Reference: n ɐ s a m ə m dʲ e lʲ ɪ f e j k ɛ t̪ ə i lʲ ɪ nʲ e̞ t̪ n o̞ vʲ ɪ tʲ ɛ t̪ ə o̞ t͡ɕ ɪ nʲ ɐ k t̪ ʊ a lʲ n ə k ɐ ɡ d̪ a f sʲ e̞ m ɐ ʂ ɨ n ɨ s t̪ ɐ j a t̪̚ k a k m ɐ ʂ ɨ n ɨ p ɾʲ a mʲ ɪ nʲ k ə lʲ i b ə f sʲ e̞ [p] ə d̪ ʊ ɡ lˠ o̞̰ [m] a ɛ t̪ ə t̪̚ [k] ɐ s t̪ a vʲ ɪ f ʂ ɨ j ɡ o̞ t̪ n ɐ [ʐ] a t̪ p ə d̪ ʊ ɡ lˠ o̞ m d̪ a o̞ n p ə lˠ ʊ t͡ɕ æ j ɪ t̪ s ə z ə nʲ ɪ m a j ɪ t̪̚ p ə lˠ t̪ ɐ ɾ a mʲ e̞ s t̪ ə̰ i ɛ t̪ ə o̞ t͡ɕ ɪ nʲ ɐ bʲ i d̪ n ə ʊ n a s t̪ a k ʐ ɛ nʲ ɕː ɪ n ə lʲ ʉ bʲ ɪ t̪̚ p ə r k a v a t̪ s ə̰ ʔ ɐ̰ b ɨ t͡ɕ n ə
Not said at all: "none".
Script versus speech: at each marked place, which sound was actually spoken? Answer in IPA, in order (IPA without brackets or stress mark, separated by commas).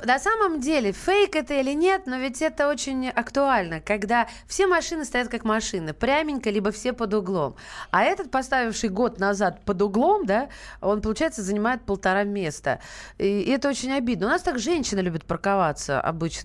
p, m, p, z